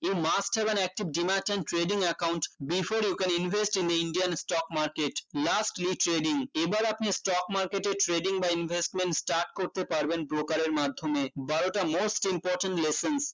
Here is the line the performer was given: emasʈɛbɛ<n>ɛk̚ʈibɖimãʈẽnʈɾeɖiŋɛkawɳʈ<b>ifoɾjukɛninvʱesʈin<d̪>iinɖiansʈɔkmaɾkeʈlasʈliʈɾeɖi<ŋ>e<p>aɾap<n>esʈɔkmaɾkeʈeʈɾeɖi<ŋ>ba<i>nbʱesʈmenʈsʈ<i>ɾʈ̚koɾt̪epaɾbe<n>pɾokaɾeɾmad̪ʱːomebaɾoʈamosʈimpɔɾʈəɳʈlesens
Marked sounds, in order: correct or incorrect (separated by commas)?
correct, correct, correct, correct, incorrect, correct, correct, correct, incorrect, correct